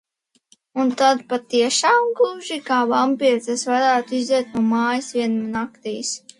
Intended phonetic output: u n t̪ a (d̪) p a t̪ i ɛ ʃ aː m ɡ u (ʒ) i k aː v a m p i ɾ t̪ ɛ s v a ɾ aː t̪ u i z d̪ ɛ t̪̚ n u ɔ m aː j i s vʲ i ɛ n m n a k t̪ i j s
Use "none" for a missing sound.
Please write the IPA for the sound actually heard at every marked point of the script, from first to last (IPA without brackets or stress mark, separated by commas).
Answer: d̪, ʒ